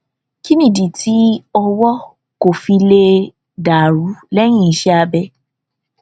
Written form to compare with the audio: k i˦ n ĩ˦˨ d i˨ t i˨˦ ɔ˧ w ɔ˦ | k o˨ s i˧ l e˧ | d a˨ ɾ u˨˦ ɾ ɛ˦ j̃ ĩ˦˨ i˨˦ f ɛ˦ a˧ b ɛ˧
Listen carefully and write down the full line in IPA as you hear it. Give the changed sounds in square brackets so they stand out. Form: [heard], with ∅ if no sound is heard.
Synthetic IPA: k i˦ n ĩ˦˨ d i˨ t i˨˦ ɔ˧ w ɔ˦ | k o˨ [f] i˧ l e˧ | d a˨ ɾ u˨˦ [l] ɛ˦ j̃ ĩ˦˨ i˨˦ [ʃ] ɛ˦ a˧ b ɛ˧